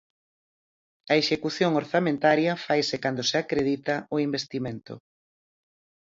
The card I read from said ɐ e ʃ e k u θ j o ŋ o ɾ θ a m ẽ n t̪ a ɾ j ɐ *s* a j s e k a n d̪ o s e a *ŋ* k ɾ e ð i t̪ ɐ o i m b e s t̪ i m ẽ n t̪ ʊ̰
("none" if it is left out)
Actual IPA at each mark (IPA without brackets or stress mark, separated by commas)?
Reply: f, none